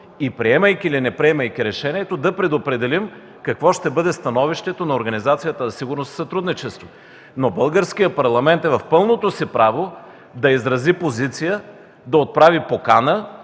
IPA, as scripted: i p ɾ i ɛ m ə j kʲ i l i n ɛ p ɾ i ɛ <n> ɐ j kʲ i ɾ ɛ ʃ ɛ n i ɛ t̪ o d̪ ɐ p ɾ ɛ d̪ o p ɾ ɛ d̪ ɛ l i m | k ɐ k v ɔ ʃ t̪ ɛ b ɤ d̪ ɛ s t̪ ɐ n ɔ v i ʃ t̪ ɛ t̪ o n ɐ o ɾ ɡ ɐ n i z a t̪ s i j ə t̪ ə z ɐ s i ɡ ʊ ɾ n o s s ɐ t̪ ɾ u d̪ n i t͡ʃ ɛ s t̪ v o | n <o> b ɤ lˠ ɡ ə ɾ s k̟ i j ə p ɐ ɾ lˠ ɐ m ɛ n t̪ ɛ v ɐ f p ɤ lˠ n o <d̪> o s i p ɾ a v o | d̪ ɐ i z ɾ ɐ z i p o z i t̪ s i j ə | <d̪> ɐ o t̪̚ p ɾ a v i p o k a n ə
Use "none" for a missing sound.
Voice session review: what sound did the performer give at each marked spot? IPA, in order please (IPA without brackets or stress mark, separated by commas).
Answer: m, o, t̪, d̪